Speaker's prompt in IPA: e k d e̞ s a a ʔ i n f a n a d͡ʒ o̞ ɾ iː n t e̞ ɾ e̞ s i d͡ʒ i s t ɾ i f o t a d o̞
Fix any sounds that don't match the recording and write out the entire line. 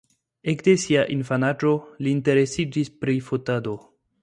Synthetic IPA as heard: e k d e̞ s i a ʔ i n f a n a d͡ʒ o̞ l iː n t e̞ ɾ e̞ s i d͡ʒ i s p ɾ i f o t a d o̞